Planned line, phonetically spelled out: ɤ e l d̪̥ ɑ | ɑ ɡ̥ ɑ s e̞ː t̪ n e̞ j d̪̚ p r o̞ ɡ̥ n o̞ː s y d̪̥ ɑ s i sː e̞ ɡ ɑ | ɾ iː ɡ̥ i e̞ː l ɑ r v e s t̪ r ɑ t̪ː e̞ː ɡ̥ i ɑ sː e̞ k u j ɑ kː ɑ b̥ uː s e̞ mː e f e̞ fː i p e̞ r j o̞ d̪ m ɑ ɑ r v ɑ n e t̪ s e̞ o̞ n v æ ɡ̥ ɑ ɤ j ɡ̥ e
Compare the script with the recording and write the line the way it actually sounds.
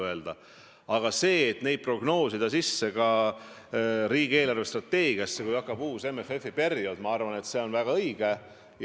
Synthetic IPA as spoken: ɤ e l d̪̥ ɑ | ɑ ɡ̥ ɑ s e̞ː t̪ n e̞ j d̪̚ p r o̞ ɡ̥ n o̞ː s i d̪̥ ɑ s i sː e̞ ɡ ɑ | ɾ iː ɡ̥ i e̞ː l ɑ r v e s t̪ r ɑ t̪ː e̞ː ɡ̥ i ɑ sː e̞ k u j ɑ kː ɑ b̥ uː s e̞ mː e f e̞ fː i p e̞ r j o̞ d̪ m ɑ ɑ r v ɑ n e t̪ s e̞ o̞ n v æ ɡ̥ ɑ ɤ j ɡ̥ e